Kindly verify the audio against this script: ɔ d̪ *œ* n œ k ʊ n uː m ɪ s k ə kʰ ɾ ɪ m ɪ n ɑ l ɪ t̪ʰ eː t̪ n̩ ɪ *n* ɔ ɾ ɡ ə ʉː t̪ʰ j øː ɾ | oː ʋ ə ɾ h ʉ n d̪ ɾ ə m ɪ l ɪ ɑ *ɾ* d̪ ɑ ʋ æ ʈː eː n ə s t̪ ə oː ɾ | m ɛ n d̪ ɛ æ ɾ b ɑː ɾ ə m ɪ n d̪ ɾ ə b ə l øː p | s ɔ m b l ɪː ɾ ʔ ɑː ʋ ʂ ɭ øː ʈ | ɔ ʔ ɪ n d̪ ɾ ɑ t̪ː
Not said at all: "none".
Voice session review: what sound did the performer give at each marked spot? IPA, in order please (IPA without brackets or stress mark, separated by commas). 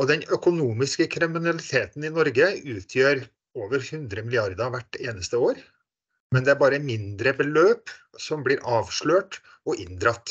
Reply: ɛ, n, ɾ